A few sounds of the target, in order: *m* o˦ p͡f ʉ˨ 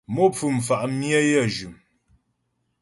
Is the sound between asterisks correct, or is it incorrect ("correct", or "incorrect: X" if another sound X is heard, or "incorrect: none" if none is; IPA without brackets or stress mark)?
correct